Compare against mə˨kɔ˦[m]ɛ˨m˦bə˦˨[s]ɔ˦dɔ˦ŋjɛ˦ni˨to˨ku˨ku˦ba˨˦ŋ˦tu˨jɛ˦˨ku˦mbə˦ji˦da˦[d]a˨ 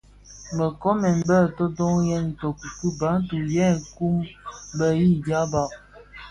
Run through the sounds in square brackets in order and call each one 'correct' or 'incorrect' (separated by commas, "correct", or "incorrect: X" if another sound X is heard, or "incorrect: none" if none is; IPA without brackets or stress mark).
correct, incorrect: t, incorrect: b